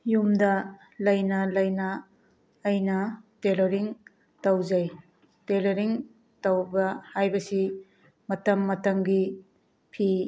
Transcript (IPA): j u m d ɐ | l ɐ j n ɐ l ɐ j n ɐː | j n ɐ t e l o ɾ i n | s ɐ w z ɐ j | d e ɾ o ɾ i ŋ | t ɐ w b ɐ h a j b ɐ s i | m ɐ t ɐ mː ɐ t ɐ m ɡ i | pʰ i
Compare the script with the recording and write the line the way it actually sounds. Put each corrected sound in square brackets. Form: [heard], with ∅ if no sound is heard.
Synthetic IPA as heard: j u m d ɐ | l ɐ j n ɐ l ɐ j n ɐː | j n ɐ t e l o ɾ i [ŋ] | [t] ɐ w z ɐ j | [t] e [l] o ɾ i ŋ | t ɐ w b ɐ h a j b ɐ s i | m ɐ t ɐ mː ɐ t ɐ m ɡ i | pʰ i